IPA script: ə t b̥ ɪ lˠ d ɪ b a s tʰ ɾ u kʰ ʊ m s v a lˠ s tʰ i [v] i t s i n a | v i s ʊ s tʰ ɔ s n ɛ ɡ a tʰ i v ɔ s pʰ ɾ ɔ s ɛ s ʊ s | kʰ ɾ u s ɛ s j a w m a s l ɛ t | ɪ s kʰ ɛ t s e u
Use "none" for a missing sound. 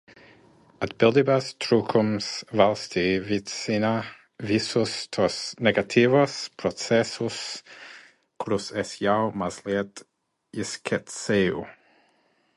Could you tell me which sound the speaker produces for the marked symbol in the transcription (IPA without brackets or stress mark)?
v